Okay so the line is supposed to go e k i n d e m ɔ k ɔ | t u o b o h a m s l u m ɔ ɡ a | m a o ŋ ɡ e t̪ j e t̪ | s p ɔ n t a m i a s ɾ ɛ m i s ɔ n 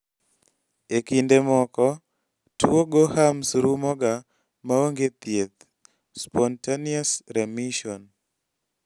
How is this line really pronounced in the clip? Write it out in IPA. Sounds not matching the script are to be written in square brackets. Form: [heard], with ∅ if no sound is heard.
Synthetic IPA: e k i n d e m ɔ k ɔ | t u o [ɡ] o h a m s [ɾ] u m ɔ ɡ a | m a o ŋ ɡ e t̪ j e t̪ | s p ɔ n t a [n] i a s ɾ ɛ m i [ʃ] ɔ n